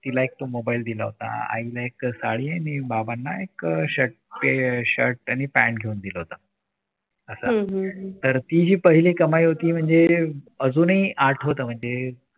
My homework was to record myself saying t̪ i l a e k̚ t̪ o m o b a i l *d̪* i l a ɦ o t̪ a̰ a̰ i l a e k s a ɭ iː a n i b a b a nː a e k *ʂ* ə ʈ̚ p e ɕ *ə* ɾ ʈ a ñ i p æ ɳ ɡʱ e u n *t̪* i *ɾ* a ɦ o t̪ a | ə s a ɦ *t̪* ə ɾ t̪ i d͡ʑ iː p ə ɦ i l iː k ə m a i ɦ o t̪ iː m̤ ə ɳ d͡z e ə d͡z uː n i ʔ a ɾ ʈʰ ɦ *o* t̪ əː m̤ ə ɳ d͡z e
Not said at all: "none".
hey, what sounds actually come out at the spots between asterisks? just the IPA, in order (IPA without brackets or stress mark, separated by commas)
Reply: d̪, ɕ, ə, d̪, l, t̪, o